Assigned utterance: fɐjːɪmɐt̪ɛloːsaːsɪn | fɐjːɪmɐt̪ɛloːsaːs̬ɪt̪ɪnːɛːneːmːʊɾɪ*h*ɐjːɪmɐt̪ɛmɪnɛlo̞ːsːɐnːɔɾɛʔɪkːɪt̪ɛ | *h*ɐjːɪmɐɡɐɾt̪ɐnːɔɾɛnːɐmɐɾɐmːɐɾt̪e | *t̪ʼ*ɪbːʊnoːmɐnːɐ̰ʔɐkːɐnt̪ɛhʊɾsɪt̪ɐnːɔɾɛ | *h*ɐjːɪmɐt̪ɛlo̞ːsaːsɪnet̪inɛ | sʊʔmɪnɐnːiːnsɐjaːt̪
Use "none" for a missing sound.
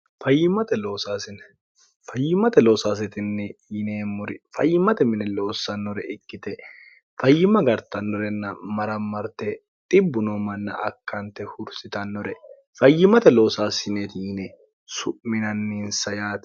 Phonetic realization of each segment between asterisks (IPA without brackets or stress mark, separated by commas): f, f, t̪ʼ, f